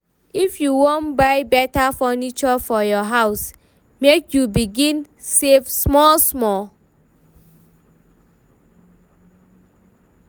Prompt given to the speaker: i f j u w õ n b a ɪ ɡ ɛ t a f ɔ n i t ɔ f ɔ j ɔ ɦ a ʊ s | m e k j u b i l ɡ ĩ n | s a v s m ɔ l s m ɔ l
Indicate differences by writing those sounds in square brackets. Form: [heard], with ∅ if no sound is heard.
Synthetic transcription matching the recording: i f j u w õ n b a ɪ [b] ɛ t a f ɔ n i [t͡ʃ] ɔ f ɔ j ɔ ɦ a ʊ s | m e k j u b i [∅] ɡ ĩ n | s [e] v s m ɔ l s m ɔ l